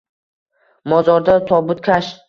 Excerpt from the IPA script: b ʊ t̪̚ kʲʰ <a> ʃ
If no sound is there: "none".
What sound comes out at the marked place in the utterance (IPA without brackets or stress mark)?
a